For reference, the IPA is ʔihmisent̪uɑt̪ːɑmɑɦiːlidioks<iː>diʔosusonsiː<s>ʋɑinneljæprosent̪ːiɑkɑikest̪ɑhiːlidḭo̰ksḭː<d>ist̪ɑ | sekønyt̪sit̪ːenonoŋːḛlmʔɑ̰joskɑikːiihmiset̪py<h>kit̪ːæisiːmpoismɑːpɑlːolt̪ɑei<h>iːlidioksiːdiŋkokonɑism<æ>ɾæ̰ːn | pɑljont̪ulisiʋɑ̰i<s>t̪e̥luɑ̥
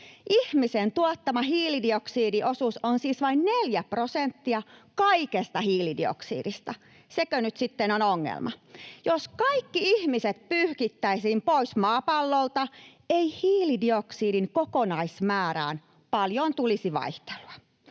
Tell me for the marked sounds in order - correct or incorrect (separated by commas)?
correct, correct, correct, correct, correct, incorrect, incorrect